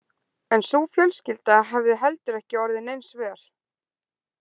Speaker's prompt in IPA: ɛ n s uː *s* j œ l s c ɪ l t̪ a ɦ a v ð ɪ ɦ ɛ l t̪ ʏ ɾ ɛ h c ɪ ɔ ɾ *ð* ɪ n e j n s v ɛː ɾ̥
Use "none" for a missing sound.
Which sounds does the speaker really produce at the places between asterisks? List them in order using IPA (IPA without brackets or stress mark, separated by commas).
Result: f, ð